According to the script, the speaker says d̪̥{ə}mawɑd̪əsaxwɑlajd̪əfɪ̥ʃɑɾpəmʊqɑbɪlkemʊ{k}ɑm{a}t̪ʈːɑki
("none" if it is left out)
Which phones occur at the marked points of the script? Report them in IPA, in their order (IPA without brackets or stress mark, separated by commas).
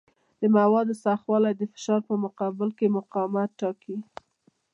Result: ə, q, a